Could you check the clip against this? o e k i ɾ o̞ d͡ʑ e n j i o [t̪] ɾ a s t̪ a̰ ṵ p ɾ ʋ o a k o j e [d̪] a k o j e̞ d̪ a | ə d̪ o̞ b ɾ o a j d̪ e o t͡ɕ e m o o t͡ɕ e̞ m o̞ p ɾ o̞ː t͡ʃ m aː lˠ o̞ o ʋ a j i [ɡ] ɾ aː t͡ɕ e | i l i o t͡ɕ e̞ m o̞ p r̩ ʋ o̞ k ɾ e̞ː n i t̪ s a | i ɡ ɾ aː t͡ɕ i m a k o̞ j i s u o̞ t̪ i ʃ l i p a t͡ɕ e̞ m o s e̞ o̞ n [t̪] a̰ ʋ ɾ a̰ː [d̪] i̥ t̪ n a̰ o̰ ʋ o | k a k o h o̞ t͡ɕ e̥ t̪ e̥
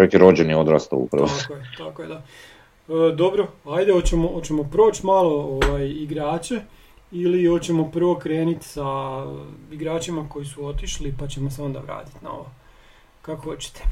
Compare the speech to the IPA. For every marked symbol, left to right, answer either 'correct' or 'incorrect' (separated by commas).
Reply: incorrect, incorrect, correct, incorrect, incorrect